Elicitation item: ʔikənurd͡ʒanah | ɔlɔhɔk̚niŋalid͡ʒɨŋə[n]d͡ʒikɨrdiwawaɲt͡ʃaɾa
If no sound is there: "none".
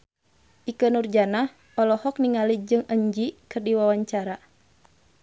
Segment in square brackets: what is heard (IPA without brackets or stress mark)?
ɲ